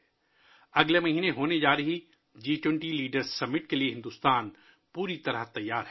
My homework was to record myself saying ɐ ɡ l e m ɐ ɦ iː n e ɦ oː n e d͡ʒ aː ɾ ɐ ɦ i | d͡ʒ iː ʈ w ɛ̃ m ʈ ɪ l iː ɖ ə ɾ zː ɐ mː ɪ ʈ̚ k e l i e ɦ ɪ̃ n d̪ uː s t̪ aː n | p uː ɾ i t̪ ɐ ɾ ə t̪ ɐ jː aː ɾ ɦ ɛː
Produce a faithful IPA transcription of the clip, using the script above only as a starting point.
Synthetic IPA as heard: ɐ ɡ l e m ɐ ɦ iː n e ɦ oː n e d͡ʒ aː ɾ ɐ ɦ i | d͡ʒ iː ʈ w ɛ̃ ɳ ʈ i l iː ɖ ə ɾ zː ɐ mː ɪ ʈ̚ k e l i e ɦ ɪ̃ n d̪ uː s t̪ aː n | p uː ɾ i t̪ ɐ ɾ ə t̪ ɐ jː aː ɾ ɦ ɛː